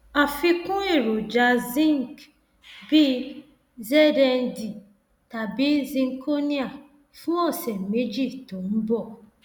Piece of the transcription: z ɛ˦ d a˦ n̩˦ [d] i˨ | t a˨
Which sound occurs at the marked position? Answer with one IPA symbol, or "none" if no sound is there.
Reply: d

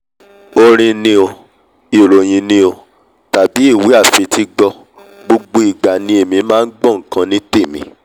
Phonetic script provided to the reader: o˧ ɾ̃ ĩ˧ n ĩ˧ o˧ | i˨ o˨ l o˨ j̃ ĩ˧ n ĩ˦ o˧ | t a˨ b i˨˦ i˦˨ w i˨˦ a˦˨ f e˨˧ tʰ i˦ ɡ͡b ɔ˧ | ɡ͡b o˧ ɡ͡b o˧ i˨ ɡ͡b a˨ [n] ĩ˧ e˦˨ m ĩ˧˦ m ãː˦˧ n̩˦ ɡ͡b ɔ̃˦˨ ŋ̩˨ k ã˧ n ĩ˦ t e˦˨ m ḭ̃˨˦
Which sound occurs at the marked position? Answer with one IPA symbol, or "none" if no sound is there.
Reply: n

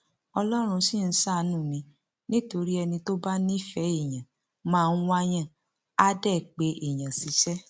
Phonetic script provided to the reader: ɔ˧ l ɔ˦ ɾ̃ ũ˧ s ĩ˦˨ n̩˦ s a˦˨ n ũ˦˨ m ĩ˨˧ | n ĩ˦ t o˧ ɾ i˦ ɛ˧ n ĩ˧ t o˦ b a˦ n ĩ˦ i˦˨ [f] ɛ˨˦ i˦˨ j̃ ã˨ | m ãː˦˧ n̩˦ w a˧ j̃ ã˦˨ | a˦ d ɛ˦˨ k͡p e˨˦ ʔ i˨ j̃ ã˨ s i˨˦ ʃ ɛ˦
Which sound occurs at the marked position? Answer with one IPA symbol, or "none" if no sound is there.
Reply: f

